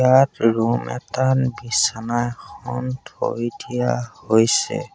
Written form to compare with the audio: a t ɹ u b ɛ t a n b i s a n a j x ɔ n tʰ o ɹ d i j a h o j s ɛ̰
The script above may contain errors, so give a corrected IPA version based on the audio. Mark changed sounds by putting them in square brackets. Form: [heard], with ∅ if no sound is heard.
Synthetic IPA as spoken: a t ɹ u [m] ɛ t a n b i s a n a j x ɔ n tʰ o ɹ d i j a h o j s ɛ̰